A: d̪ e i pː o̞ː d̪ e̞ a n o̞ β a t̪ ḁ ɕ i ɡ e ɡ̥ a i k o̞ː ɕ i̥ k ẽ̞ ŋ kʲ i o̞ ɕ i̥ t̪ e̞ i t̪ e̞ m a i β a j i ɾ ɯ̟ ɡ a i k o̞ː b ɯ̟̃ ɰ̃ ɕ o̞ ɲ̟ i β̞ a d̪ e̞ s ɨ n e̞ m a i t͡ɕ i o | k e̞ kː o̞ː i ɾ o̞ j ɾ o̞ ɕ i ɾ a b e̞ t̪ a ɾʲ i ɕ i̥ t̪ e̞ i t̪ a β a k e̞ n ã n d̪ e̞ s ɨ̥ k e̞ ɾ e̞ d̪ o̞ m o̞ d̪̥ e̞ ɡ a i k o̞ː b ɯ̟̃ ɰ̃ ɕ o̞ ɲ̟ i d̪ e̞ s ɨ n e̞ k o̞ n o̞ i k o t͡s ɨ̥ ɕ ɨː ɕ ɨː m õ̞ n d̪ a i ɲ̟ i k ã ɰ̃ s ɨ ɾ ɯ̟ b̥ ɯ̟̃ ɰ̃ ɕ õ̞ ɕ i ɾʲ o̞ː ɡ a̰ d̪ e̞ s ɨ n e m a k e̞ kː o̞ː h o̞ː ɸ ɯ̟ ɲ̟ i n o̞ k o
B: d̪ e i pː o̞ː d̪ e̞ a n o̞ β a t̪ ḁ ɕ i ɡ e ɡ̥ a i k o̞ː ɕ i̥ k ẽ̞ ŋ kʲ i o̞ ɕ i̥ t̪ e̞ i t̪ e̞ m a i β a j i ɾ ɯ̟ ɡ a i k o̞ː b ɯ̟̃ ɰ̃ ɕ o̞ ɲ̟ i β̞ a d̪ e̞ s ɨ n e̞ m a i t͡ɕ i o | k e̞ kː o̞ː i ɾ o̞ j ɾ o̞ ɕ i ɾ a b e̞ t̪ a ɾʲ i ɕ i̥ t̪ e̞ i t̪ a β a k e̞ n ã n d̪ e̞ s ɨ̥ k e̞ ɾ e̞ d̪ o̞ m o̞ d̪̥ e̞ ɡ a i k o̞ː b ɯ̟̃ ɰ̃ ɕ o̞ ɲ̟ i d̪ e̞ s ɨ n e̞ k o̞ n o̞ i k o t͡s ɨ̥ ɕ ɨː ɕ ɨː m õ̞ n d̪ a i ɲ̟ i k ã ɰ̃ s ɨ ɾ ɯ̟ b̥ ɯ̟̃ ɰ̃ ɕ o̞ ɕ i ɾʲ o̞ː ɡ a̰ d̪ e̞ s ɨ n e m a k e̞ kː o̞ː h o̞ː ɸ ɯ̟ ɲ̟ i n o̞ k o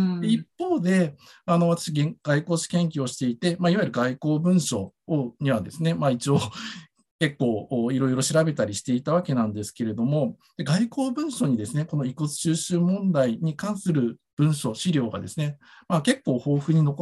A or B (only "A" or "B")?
B